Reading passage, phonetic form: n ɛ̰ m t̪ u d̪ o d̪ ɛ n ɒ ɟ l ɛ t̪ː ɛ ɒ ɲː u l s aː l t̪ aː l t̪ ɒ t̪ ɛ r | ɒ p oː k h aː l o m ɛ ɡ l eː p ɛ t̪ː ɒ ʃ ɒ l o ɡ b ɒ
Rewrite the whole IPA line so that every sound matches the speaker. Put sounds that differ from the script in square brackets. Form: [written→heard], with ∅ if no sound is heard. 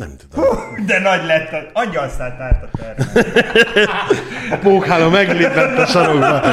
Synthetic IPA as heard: n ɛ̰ m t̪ u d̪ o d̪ ɛ n ɒ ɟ l ɛ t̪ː ɛ ɒ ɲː [u→ɒ] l s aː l t̪ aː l t̪ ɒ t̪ ɛ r | ɒ p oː k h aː l o m ɛ ɡ l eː p ɛ t̪ː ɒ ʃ ɒ [l→ɾ] o ɡ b ɒ